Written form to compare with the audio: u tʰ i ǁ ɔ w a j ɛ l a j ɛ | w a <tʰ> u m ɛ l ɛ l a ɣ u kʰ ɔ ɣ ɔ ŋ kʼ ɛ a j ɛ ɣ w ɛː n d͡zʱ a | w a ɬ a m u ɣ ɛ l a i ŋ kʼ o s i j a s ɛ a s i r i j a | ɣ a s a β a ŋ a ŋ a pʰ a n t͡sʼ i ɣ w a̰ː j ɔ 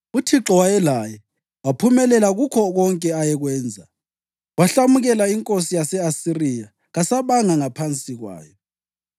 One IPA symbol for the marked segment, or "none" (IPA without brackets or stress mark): pʰ